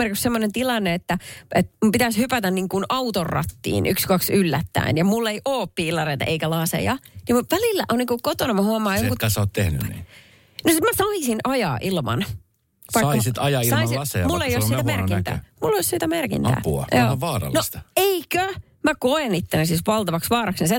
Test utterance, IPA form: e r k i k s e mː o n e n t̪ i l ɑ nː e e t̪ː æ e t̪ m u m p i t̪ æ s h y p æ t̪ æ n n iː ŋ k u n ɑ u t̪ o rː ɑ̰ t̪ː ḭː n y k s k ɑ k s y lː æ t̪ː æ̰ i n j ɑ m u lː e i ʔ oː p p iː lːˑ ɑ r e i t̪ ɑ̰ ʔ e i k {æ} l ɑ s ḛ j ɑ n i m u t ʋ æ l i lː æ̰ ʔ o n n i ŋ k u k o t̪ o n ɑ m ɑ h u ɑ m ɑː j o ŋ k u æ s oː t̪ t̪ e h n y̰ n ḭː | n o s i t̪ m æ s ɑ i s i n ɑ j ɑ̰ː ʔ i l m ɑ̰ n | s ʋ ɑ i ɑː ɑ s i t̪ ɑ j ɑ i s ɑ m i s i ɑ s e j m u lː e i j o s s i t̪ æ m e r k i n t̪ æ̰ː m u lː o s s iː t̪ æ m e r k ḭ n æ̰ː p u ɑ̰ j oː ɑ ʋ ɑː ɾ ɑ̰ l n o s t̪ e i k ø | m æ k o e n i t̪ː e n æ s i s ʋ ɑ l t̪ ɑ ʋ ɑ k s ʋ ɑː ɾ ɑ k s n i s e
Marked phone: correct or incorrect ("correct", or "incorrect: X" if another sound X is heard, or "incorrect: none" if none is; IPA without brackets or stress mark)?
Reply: correct